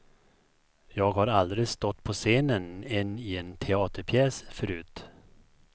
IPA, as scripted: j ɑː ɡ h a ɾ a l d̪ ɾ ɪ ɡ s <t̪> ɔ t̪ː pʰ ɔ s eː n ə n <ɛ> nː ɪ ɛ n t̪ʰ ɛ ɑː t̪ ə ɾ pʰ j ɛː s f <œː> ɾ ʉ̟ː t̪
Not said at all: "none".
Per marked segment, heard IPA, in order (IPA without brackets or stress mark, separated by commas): t̪, ɛ, œ